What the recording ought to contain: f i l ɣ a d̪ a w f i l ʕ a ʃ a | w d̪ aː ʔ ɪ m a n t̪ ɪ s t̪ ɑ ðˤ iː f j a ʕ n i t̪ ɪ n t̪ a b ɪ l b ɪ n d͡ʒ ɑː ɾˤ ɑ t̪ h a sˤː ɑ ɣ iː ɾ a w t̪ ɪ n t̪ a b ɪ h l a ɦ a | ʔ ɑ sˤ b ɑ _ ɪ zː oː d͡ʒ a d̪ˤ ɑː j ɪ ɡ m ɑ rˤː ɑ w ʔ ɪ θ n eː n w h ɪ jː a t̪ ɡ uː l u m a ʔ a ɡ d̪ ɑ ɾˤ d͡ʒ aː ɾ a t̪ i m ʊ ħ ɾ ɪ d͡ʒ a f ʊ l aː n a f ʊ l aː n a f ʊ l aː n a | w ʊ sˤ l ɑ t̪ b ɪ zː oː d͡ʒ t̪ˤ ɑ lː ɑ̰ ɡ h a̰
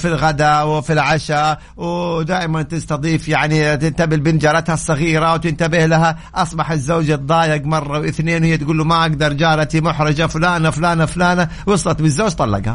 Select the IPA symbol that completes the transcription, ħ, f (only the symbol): ħ